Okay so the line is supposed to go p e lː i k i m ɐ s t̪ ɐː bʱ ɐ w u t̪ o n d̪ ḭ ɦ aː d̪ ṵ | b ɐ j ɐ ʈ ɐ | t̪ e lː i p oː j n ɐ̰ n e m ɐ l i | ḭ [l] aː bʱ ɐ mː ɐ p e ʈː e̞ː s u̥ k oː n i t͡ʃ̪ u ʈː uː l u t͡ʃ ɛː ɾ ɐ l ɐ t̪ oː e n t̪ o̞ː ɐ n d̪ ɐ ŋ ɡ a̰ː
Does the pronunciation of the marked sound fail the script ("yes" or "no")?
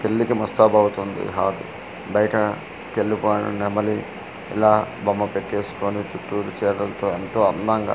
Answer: no